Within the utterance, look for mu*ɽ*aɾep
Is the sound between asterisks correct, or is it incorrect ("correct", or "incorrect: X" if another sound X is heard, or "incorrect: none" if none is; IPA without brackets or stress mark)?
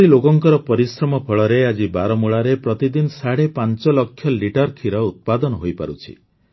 incorrect: ɭ